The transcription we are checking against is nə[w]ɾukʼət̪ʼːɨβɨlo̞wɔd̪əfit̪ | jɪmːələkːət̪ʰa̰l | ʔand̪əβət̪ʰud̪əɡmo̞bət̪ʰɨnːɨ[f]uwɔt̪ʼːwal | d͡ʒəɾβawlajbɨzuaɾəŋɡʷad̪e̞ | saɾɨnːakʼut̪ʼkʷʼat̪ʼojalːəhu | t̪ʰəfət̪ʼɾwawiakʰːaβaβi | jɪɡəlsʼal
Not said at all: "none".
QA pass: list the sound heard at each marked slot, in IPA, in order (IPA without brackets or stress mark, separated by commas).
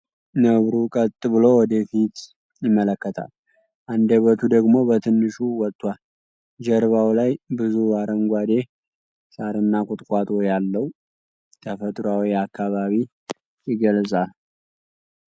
β, ʃ